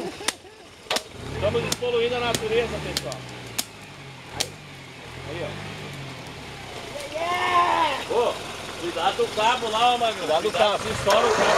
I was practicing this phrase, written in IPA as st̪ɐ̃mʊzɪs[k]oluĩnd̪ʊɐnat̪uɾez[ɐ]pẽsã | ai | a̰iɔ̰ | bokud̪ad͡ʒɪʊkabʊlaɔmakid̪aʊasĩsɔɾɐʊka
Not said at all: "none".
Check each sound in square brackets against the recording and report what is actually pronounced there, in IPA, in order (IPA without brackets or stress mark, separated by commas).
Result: p, ɐ